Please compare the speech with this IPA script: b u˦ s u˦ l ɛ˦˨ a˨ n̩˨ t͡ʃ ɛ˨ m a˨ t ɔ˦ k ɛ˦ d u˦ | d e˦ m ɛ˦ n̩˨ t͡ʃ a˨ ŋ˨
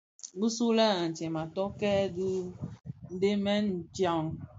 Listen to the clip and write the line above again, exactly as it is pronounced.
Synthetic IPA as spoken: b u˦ s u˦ l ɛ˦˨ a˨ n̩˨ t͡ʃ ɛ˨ m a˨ t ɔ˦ k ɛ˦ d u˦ | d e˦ m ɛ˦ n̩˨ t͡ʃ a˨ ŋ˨